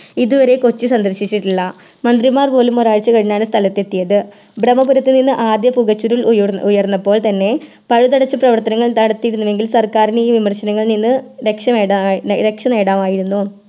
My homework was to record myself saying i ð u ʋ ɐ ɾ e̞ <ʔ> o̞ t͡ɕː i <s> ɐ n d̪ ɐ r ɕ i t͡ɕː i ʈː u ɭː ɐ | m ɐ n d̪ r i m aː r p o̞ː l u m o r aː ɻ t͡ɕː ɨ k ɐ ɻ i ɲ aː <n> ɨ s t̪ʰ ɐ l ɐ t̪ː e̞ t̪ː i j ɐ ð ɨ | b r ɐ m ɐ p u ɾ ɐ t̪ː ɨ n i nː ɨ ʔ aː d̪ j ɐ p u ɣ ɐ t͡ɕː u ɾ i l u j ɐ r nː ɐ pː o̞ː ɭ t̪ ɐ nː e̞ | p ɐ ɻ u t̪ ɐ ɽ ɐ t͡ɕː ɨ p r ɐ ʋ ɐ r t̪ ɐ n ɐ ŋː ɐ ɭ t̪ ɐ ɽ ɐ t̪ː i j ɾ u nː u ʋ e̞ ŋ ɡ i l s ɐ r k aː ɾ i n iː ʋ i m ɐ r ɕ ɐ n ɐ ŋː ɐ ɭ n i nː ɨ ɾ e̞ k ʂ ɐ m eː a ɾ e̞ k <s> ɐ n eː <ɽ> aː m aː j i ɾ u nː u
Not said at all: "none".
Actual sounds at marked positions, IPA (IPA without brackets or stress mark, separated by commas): k, s, ɳ, ʂ, ɽ